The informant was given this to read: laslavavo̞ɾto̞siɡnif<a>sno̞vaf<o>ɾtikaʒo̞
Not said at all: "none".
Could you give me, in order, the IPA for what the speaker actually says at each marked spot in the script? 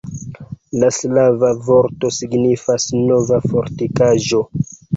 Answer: a, o

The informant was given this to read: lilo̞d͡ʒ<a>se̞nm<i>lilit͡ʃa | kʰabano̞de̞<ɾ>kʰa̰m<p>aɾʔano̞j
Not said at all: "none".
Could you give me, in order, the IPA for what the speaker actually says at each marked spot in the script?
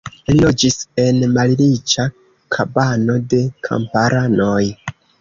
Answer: i, a, none, p

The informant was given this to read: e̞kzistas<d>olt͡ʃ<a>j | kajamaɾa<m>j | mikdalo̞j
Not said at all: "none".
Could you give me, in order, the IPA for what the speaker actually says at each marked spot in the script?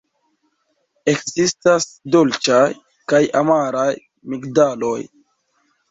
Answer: d, a, none

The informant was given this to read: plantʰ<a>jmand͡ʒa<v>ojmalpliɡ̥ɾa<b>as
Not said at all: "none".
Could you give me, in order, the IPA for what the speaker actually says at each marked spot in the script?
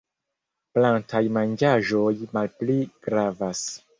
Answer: a, ʒ, v

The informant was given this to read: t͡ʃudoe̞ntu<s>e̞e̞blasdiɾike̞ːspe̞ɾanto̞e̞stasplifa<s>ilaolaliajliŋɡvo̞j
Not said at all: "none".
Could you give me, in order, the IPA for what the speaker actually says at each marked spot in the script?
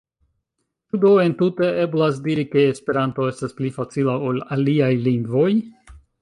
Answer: t, t͡s

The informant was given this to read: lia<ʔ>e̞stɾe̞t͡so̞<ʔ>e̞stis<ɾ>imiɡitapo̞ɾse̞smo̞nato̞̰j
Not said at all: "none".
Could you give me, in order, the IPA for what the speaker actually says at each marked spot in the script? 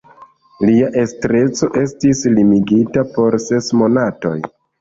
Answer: ʔ, ʔ, l

